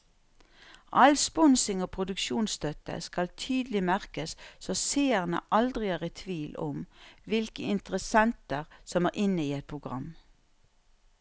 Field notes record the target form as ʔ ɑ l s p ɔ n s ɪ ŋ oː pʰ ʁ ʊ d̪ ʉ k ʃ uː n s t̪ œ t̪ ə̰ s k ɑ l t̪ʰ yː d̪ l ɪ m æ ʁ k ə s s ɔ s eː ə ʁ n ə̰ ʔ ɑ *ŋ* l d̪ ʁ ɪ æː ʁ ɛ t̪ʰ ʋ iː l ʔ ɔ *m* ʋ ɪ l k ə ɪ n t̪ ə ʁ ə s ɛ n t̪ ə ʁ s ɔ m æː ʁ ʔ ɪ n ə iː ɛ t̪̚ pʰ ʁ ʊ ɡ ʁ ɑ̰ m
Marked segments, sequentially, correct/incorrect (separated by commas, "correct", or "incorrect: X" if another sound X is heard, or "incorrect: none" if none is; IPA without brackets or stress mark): incorrect: none, correct